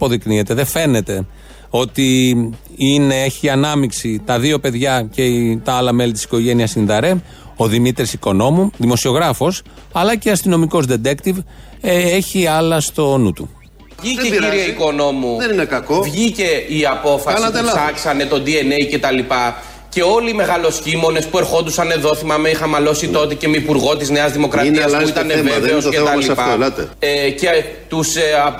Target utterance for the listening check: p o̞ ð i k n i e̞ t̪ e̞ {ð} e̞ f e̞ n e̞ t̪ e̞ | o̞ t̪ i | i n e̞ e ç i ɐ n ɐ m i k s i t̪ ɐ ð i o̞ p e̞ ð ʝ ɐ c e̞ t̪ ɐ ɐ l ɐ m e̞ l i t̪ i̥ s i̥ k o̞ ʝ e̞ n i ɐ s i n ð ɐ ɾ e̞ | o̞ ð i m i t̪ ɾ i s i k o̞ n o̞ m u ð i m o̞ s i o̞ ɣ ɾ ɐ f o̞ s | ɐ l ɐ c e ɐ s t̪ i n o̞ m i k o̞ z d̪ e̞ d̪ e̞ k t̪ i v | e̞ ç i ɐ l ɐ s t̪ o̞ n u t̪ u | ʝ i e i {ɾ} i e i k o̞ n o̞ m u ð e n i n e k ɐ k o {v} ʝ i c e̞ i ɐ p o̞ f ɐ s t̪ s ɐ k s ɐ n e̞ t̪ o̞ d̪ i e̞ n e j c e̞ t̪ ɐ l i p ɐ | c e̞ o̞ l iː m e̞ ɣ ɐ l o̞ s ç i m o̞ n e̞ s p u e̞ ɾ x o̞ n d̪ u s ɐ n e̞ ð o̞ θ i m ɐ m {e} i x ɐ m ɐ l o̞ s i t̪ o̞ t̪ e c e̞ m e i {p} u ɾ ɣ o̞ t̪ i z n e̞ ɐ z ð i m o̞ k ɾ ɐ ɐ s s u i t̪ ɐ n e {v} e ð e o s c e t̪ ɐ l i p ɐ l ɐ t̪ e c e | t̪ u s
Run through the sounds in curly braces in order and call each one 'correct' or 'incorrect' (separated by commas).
correct, correct, correct, correct, correct, correct